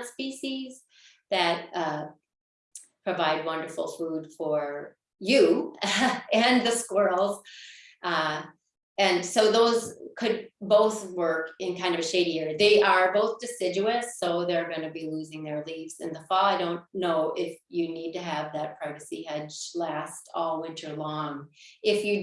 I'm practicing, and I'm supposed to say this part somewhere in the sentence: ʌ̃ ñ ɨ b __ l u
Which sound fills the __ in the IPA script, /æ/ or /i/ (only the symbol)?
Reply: i